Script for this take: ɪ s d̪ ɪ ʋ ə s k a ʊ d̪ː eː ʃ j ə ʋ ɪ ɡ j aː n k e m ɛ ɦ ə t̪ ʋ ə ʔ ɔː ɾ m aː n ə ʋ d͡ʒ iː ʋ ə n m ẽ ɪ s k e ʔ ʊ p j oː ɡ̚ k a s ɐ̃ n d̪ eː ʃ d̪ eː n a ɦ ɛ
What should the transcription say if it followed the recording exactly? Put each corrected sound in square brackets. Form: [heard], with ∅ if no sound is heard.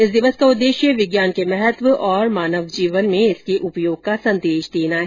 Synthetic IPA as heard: ɪ s d̪ ɪ ʋ ə s k a ʊ d̪ː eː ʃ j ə ʋ ɪ ɡ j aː n k e m ɛ ɦ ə t̪ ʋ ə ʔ ɔː ɾ m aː n ə ʋ d͡ʒ iː ʋ ə n m ẽ ɪ s k e ʔ ʊ p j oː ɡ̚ k a s ɐ̃ n d̪ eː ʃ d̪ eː n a ɦ ɛ